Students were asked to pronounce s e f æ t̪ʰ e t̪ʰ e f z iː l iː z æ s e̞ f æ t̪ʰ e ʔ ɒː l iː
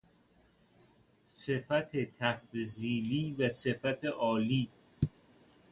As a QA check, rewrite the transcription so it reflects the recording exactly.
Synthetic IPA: s e f æ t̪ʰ e t̪ʰ æ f z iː l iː v æ s e̞ f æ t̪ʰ e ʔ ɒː l iː